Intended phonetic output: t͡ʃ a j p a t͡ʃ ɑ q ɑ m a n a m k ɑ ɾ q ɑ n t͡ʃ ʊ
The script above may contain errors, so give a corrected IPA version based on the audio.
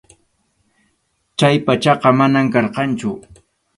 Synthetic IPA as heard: t͡ʃ a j p a t͡ʃ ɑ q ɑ m a n a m k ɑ ɾ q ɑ n t͡ʃ ʊ